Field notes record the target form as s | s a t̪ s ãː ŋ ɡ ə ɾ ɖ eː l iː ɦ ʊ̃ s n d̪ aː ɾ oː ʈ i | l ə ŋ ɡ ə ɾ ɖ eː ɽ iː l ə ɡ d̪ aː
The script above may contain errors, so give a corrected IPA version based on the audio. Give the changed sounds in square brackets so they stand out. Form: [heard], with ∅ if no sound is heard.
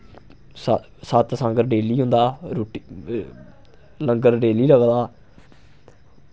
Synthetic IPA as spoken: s | s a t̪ s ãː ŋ ɡ ə ɾ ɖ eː l iː ɦ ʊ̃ [∅] n d̪ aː ɾ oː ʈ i | l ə ŋ ɡ ə ɾ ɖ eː [l] iː l ə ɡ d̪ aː